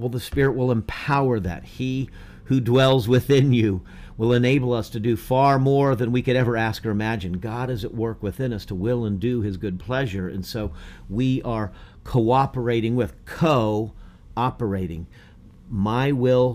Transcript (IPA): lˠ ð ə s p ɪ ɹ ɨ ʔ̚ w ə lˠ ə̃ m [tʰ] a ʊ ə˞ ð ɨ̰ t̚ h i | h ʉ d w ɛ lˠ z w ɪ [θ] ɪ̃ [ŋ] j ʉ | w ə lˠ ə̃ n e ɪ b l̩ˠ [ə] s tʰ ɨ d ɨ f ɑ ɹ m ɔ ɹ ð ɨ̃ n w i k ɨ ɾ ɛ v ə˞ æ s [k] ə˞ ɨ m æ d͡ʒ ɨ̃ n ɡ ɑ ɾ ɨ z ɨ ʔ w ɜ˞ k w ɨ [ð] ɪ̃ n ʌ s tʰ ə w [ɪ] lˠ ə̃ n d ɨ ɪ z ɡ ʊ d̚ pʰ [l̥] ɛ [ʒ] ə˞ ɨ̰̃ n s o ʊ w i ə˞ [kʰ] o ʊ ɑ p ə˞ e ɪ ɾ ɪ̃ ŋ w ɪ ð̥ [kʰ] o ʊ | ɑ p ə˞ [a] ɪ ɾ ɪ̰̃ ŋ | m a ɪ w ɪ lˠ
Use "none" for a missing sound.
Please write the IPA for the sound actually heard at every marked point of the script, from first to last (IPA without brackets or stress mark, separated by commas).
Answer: pʰ, θ, n, ʌ, k, θ, ɪ, l̥, ʒ, kʰ, kʰ, e